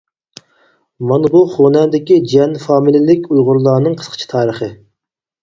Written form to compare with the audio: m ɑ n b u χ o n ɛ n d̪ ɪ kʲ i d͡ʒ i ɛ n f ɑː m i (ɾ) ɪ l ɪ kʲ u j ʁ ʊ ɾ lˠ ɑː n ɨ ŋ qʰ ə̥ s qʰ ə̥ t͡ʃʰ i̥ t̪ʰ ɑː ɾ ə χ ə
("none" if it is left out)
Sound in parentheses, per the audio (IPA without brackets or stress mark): l